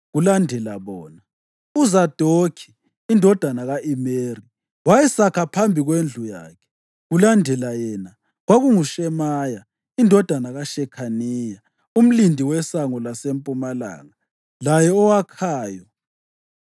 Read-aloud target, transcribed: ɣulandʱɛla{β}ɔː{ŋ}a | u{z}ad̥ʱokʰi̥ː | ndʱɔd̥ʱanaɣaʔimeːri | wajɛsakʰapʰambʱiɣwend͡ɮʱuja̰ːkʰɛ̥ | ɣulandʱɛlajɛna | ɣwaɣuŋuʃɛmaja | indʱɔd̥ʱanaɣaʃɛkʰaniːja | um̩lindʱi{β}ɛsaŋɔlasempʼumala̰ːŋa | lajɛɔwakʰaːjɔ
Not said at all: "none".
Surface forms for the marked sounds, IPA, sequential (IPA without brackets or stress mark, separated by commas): β, n, z, w